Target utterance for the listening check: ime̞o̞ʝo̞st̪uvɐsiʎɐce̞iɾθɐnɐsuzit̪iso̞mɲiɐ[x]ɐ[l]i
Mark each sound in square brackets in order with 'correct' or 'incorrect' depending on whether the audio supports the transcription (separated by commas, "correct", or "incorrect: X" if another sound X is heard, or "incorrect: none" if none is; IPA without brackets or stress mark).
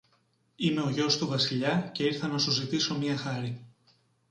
correct, incorrect: ɾ